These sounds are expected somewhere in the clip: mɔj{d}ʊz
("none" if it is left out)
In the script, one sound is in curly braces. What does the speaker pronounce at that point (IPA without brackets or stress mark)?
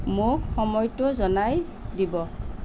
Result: t